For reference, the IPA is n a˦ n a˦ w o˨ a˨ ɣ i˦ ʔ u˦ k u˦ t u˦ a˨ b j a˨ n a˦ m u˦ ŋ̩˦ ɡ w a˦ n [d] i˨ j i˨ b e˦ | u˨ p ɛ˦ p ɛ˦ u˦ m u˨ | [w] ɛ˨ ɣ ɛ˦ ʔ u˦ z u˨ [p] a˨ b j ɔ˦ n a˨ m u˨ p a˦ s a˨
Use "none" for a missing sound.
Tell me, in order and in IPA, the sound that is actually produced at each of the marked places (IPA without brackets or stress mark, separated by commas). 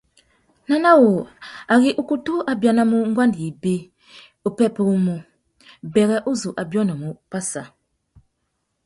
d, b, ʔ